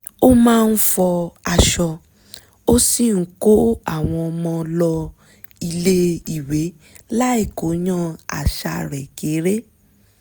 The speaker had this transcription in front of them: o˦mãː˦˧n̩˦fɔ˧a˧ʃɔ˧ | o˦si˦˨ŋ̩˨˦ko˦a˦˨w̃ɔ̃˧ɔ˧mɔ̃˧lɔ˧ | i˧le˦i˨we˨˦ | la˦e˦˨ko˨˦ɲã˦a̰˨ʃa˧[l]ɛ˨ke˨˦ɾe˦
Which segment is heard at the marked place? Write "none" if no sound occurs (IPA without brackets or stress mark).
ɾ